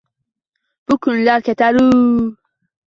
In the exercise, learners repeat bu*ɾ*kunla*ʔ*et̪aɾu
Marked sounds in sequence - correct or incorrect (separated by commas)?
incorrect, incorrect